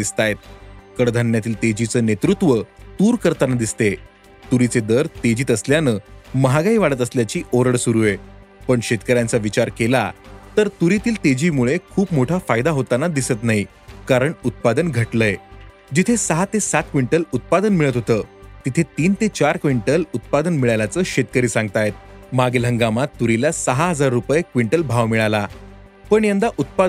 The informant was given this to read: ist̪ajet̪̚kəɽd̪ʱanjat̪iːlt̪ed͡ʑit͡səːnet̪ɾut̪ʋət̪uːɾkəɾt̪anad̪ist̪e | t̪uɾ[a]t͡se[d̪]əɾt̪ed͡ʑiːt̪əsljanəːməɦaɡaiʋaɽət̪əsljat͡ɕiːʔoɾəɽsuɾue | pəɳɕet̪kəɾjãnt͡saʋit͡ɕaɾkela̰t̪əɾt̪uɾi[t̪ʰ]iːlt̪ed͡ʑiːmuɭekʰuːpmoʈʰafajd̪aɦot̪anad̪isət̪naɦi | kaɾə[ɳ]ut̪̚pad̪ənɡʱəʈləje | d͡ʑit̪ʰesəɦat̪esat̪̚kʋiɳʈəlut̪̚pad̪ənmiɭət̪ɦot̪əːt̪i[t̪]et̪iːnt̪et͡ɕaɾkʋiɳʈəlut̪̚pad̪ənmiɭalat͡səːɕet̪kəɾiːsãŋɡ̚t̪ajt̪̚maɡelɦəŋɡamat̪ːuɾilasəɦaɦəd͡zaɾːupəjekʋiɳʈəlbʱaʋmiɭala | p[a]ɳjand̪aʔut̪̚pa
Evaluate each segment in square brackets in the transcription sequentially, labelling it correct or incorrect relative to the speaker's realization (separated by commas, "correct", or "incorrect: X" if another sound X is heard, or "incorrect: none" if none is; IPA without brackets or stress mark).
incorrect: i, correct, incorrect: t̪, correct, incorrect: t̪ʰ, incorrect: ə